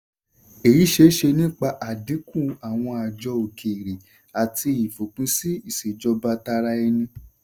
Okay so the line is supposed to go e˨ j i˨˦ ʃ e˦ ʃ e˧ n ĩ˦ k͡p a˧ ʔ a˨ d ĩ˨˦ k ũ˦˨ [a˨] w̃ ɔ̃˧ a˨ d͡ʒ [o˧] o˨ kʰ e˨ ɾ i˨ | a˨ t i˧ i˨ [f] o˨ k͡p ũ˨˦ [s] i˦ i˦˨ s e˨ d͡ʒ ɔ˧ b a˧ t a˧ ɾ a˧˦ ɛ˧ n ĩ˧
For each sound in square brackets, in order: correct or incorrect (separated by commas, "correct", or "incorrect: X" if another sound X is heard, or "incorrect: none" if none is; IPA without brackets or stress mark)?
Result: correct, incorrect: ɔ˧, correct, correct